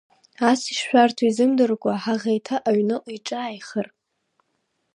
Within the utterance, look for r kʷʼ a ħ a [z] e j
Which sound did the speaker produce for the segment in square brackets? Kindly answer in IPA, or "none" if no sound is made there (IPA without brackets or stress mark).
ʁ